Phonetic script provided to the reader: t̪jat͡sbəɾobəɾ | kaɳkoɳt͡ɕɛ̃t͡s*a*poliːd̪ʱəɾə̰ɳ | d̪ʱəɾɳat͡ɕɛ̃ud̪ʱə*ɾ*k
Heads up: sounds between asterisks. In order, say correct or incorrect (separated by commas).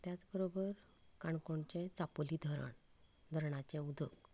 correct, incorrect